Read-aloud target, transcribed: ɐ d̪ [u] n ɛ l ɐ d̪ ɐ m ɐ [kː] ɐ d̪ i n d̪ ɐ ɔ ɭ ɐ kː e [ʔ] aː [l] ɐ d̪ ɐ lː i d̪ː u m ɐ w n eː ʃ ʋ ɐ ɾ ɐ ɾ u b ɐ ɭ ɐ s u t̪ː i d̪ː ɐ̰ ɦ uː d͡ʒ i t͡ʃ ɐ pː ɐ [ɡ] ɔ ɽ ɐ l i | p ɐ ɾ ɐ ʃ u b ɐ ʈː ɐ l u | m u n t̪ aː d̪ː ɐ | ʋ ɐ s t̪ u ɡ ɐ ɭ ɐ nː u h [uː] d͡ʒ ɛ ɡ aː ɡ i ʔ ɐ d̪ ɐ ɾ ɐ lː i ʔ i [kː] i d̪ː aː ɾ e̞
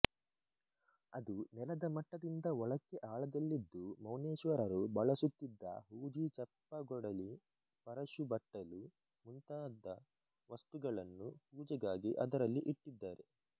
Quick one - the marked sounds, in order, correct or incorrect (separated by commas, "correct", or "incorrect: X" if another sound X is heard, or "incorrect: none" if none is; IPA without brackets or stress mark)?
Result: correct, incorrect: ʈː, correct, incorrect: ɭ, correct, correct, incorrect: ʈː